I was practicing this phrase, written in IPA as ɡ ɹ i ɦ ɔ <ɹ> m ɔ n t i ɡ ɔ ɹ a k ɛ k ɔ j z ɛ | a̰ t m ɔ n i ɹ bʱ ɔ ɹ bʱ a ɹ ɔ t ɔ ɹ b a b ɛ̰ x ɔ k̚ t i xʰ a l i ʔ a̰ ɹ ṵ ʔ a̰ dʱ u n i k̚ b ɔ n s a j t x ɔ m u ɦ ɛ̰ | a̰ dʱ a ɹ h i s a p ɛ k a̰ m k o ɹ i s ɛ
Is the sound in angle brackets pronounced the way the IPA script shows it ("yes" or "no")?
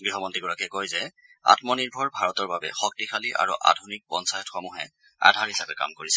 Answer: no